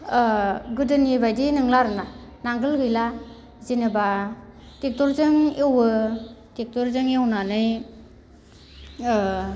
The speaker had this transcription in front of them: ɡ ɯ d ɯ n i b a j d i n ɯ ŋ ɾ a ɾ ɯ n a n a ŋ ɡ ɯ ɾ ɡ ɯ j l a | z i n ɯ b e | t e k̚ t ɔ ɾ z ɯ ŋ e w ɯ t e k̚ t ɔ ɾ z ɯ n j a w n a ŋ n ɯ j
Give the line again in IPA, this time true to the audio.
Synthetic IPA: ɡ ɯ d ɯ n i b a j d i n ɯ ŋ l a ɾ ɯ n a n a ŋ ɡ ɯ l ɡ ɯ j l a | z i n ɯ b a | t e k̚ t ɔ ɾ z ɯ ŋ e w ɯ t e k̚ t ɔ ɾ z ɯ ŋ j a w n a n ɯ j